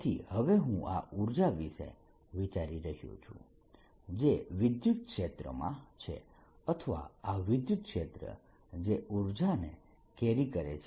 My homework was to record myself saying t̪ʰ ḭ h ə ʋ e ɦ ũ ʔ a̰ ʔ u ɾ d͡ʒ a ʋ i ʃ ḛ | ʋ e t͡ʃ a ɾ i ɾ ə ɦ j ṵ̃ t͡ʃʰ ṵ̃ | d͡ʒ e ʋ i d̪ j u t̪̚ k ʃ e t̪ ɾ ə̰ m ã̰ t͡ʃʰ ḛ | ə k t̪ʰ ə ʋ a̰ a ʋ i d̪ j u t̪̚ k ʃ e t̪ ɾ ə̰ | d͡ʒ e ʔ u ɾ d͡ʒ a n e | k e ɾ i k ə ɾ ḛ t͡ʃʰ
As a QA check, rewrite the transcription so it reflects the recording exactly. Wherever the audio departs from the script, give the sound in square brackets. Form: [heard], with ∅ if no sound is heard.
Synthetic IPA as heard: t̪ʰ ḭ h ə ʋ e ɦ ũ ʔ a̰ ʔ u ɾ d͡ʒ a ʋ i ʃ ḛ | ʋ [i] t͡ʃ a ɾ i ɾ ə ɦ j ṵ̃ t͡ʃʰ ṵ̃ | d͡ʒ e ʋ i d̪ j u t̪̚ k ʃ e t̪ ɾ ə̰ m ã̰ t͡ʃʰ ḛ | ə [∅] t̪ʰ ə ʋ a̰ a ʋ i d̪ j u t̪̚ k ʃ e t̪ ɾ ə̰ | d͡ʒ e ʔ u ɾ d͡ʒ a n e | k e ɾ i k ə ɾ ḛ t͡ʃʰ